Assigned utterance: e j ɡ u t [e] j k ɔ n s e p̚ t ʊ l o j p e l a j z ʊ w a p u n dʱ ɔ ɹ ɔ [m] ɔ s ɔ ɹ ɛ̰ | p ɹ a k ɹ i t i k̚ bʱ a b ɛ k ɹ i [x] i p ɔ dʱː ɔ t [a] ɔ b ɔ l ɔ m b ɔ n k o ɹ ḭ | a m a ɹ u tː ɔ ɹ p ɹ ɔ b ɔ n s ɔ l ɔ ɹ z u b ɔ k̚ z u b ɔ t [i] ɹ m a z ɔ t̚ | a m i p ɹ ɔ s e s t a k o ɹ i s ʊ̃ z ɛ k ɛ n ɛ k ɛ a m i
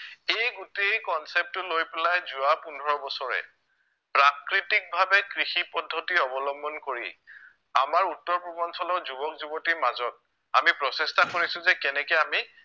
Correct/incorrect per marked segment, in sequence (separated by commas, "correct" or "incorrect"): correct, incorrect, correct, incorrect, correct